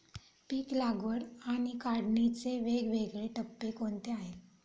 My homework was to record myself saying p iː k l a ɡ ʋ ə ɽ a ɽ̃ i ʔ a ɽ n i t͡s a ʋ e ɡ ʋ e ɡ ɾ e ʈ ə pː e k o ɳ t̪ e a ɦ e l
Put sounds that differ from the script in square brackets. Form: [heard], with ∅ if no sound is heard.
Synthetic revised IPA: p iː k l a ɡ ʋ ə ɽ a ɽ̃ i [k] a ɽ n i t͡s [e] ʋ e ɡ ʋ e ɡ [ɭ] e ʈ ə pː e k o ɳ t̪ e a ɦ e l